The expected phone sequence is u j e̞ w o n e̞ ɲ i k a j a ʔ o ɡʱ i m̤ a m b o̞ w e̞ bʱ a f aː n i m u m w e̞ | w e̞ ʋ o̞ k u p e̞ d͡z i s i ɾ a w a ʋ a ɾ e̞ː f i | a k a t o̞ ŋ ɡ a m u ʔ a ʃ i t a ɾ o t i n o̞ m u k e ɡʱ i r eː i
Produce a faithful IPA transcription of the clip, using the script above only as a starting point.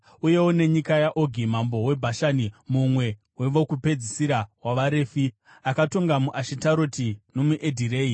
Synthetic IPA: u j e̞ w o n e̞ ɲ i k a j a ʔ o ɡʱ i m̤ a m b o̞ w e̞ bʱ a ʃ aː n i m u m w e̞ | w e̞ ʋ o̞ k u p e̞ d͡z i s i ɾ a w a ʋ a ɾ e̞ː f i | a k a t o̞ ŋ ɡ a m u ʔ a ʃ i t a ɾ o t i n o̞ m u ʔ e dʱ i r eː i